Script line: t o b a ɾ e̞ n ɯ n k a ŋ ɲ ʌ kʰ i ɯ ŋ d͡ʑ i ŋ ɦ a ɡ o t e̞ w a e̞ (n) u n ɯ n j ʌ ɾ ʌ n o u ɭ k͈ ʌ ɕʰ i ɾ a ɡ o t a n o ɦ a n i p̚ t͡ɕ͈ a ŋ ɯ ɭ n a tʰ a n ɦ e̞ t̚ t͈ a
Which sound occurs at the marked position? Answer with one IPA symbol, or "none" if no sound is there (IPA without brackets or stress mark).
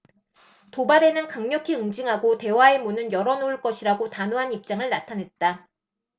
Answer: m